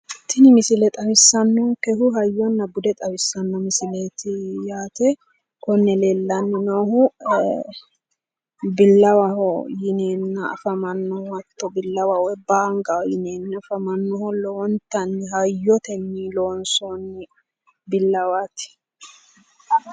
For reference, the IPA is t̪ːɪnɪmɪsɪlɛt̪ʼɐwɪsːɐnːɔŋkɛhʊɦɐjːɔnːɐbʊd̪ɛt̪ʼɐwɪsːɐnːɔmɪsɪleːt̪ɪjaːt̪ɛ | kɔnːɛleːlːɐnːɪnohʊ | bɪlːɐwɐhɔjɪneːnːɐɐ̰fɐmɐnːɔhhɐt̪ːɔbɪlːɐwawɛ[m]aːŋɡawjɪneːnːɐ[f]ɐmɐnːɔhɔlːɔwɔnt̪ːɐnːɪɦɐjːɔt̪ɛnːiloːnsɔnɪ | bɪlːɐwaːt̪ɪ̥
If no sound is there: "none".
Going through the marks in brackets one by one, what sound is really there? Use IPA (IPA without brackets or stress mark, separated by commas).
b, f